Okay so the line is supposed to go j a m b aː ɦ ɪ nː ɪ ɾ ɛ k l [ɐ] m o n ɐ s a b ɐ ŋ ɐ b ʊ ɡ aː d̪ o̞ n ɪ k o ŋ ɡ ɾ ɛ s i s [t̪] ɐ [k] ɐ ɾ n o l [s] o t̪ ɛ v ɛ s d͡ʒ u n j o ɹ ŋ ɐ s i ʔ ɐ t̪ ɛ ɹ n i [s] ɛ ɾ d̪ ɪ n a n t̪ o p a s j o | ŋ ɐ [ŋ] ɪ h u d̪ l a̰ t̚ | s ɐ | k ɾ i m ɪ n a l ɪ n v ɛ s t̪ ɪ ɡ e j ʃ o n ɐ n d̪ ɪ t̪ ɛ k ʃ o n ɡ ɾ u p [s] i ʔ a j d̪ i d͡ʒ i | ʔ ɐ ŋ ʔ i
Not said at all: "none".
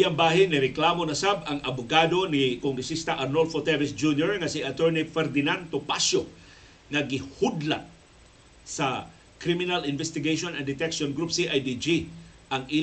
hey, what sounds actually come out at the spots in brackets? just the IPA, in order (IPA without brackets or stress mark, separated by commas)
a, t̪, ʔ, f, f, ɡ, s